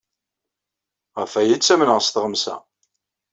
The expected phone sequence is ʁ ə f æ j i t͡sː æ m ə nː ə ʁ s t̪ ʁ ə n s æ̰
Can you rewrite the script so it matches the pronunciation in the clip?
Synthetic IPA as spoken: ʁ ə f æ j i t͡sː æ m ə n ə ʁ s t̪ ʁ ə m s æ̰